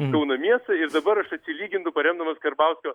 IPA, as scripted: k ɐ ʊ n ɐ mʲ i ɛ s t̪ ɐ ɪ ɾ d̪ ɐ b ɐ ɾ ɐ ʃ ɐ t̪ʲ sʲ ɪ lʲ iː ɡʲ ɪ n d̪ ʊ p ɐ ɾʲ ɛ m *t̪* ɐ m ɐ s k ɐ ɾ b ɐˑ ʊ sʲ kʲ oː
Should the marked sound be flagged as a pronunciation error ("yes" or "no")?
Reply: yes